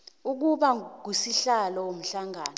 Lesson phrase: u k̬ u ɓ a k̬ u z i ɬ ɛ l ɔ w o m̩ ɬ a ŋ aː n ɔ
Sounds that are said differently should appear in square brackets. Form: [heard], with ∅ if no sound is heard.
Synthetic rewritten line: u k̬ u ɓ a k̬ u [s] i ɬ [a] l ɔ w o m̩ ɬ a ŋ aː n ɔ